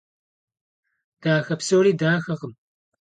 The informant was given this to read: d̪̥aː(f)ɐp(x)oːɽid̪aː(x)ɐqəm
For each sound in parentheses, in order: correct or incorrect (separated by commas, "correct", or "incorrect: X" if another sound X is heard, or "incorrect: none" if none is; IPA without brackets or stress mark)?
incorrect: x, incorrect: s, correct